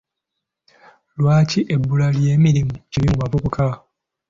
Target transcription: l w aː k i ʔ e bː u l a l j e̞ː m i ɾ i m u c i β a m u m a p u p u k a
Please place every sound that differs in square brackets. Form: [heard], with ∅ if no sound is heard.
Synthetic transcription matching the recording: l w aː [c] i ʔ e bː u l a l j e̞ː m i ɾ i m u c i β [i] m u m a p u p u k a